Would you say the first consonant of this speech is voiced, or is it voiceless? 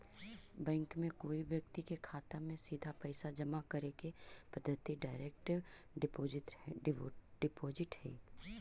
voiced